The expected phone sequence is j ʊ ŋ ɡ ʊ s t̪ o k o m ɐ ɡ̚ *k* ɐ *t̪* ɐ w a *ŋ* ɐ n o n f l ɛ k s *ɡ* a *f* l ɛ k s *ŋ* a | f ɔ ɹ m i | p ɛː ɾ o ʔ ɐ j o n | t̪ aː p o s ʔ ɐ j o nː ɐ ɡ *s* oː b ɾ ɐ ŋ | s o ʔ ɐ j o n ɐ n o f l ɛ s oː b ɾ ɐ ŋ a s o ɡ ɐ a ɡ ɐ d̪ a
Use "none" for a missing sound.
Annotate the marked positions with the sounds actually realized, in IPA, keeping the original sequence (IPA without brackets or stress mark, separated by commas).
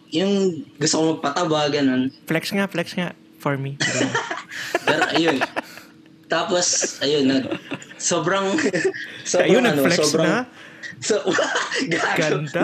p, t̪, ɡ, ŋ, f, ŋ, s